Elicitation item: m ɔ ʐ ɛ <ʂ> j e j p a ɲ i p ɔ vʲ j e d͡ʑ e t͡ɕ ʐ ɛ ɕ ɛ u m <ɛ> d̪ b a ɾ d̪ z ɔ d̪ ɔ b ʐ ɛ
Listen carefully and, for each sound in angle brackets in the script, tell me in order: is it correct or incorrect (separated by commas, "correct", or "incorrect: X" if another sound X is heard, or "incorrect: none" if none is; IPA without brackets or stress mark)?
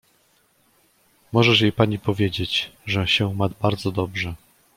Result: correct, incorrect: a